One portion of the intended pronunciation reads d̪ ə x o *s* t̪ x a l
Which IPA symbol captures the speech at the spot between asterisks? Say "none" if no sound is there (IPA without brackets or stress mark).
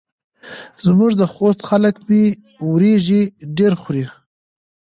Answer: s